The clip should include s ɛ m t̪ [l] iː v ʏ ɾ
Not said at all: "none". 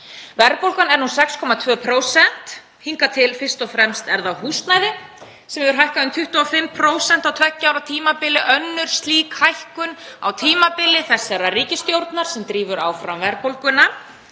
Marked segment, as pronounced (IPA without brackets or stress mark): ɾ